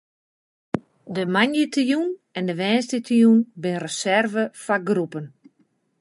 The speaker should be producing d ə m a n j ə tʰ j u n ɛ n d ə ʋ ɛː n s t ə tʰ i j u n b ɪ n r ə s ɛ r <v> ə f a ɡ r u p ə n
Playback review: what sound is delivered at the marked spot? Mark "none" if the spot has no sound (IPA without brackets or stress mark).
v